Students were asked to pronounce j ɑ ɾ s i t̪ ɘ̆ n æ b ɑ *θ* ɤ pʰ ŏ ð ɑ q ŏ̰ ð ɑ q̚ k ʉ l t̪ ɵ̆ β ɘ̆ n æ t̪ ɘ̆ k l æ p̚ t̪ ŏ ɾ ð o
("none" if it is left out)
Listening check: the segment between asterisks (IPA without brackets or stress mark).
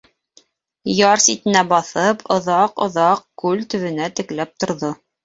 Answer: θ